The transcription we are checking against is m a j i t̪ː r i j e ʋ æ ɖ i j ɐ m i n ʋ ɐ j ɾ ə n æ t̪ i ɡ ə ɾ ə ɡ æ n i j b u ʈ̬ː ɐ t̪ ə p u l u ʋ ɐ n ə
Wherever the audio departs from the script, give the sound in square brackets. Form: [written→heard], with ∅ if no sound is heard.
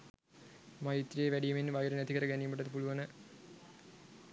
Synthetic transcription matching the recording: m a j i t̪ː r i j e ʋ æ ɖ i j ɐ m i n ʋ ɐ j ɾ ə n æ t̪ i [ɡ→k] ə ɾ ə ɡ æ n i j [b→m] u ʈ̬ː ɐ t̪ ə p u l u ʋ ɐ n ə